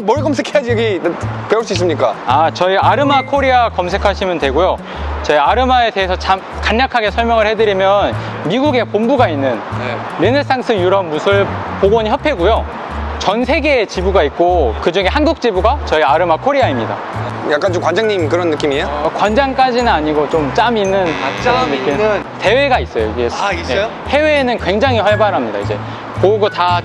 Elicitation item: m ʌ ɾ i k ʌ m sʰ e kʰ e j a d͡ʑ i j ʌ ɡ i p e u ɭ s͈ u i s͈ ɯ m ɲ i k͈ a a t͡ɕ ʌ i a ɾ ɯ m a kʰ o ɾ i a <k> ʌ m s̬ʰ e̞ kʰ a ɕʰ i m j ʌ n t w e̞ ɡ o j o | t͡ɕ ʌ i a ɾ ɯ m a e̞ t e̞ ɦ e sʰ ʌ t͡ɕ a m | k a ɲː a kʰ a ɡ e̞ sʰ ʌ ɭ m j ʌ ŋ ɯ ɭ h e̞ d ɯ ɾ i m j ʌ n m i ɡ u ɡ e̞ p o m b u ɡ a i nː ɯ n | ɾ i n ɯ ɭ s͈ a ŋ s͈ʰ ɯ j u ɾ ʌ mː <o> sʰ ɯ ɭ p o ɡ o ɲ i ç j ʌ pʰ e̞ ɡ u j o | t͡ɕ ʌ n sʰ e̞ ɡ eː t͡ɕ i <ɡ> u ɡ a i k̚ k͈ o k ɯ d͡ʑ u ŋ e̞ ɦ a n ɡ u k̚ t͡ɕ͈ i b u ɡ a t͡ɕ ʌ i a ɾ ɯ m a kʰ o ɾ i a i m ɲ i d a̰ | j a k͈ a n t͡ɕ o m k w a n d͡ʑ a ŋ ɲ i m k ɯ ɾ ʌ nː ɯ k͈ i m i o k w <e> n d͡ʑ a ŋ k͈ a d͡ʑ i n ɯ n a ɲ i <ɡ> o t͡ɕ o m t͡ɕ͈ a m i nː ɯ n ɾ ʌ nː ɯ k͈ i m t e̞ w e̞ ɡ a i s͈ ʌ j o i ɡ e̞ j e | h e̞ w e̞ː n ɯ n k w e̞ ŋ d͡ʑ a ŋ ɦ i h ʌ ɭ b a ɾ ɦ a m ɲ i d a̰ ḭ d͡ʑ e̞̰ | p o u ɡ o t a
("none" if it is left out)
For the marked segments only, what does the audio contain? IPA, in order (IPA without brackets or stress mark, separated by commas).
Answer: k, u, b, a, ɡ